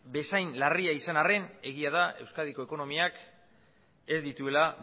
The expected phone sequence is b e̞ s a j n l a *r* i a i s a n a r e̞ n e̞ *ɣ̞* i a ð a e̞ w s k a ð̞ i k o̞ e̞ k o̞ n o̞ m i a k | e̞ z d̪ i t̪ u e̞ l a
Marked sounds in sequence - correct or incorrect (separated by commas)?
correct, correct